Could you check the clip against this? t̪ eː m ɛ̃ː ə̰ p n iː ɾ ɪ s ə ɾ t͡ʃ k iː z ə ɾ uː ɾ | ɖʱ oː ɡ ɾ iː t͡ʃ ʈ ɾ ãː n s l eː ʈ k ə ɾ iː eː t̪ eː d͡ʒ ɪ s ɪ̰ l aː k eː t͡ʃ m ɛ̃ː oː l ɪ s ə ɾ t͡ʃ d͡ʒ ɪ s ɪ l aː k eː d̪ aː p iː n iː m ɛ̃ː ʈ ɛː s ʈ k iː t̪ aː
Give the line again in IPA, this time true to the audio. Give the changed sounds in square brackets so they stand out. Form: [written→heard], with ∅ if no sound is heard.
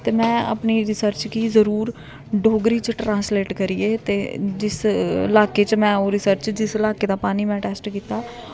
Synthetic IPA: t̪ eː m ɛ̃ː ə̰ p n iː ɾ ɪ s ə ɾ t͡ʃ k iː z ə ɾ uː ɾ | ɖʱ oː ɡ ɾ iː t͡ʃ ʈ ɾ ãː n s l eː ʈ k ə ɾ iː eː t̪ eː d͡ʒ ɪ s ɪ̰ l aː k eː t͡ʃ m ɛ̃ː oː [l→ɾ] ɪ s ə ɾ t͡ʃ d͡ʒ ɪ s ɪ l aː k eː d̪ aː p [iː→aː] n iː m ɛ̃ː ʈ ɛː s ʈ k iː t̪ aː